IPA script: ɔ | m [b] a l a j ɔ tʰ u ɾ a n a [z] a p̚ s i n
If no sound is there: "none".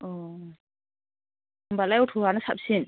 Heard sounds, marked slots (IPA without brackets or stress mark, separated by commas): b, s